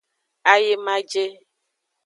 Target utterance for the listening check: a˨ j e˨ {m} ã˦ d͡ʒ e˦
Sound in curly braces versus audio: correct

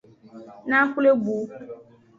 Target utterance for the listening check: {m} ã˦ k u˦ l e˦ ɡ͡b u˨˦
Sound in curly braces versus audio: incorrect: n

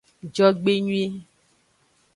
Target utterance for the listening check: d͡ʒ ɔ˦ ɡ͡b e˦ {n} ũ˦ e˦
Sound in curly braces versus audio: incorrect: ɲ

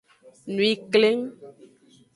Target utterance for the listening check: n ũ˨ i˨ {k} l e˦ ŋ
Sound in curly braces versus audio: correct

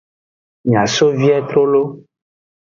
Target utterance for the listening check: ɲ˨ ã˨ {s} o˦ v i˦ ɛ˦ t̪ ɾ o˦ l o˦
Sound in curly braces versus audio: correct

